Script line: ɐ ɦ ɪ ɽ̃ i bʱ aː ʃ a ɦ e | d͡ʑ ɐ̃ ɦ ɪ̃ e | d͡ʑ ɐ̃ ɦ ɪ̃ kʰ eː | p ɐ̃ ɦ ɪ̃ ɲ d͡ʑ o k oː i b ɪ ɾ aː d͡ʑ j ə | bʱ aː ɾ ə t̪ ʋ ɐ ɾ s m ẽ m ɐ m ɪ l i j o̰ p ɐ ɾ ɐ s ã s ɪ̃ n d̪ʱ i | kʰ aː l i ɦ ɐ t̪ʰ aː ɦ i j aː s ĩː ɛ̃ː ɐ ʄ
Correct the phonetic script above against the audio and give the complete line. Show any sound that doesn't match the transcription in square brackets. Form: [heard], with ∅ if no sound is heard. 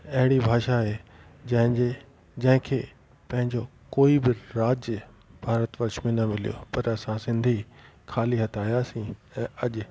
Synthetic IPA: ɐ ɦ ɪ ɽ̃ i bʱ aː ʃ a ɦ e | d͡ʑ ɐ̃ ɦ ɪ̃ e | d͡ʑ ɐ̃ ɦ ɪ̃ kʰ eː | p ɐ̃ ɦ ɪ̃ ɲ d͡ʑ o k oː i b ɪ ɾ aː d͡ʑ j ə | bʱ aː ɾ ə t̪ ʋ ɐ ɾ [ʃ] m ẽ [n] ɐ m ɪ l i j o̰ p ɐ ɾ ɐ s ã s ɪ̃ n d̪ʱ i | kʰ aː l i ɦ ɐ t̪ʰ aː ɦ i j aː s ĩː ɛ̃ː ɐ ʄ

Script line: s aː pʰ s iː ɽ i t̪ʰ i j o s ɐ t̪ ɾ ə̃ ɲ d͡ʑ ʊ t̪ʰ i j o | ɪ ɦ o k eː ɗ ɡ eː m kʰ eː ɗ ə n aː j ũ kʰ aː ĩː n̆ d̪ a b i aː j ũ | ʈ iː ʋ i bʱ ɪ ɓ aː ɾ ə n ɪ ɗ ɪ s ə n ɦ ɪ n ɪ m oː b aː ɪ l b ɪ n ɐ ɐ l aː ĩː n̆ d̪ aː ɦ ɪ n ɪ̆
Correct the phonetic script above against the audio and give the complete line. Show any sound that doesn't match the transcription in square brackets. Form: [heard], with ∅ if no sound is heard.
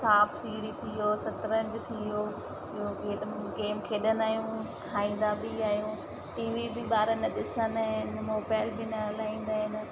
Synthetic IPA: s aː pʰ s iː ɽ i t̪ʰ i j o s ɐ t̪ ɾ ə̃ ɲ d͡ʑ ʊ t̪ʰ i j o | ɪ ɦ o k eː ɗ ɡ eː m kʰ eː ɗ ə n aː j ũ kʰ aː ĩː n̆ d̪ a b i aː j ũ | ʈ iː ʋ i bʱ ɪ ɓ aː ɾ ə n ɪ ɗ ɪ s ə n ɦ ɪ n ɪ m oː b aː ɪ l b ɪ n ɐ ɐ l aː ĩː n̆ d̪ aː ɦ ɪ n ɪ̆

